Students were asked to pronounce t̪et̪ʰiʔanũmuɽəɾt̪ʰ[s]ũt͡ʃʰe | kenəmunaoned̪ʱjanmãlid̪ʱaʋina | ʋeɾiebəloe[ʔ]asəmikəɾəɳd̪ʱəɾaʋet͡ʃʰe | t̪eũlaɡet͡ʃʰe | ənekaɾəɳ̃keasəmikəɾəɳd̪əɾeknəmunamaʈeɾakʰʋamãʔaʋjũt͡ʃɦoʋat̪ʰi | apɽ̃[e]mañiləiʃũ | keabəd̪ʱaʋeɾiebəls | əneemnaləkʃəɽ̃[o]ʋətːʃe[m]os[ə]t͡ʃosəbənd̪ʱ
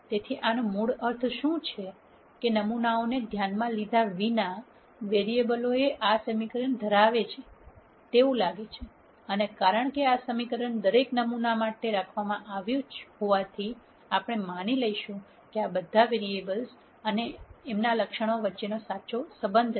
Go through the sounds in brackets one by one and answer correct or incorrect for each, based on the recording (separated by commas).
incorrect, correct, correct, correct, incorrect, incorrect